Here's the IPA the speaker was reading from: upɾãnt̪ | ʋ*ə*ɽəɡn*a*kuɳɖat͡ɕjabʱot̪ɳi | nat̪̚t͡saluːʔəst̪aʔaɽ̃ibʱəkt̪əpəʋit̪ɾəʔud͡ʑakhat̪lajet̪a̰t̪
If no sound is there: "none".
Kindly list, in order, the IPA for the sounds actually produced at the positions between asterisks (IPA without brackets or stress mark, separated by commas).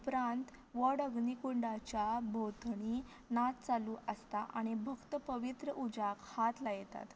ə, i